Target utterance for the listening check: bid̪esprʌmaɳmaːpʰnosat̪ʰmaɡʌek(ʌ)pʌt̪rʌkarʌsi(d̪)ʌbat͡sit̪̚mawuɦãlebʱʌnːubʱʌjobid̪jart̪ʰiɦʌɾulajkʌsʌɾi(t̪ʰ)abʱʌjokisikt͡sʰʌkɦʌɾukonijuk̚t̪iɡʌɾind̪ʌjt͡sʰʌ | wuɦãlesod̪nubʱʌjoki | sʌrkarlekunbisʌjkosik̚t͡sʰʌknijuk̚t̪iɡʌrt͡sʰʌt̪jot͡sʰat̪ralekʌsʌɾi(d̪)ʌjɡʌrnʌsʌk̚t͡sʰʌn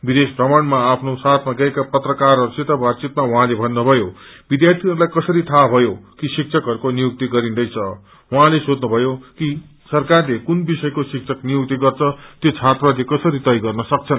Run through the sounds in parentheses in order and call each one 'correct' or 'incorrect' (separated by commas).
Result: incorrect, incorrect, correct, incorrect